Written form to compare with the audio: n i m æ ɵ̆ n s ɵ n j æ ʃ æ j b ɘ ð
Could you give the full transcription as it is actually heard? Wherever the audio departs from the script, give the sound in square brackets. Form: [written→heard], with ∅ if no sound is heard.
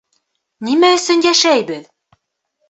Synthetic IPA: n i m æ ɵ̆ [n→∅] s ɵ n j æ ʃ æ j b ɘ ð